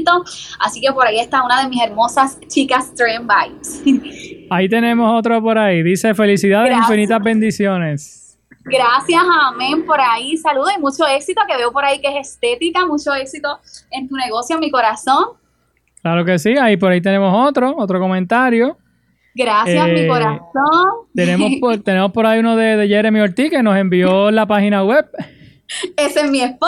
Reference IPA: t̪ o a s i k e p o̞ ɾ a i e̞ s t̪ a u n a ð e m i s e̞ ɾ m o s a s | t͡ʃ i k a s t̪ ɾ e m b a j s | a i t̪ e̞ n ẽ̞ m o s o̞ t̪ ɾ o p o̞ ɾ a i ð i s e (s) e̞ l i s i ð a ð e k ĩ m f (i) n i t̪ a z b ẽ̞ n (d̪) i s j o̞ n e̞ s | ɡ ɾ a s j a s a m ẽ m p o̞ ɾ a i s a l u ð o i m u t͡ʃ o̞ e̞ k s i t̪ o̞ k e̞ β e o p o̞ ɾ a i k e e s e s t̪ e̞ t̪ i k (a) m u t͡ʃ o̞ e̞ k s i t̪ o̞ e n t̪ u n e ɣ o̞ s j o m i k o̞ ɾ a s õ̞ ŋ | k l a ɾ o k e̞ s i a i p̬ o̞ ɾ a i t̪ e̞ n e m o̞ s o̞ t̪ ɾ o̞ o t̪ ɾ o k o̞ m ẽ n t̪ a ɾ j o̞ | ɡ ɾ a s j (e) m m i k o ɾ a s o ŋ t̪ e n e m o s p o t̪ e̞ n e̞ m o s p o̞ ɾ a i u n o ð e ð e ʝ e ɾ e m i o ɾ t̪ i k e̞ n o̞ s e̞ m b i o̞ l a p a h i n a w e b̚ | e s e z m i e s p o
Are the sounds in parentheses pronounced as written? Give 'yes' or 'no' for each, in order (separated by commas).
no, yes, yes, yes, no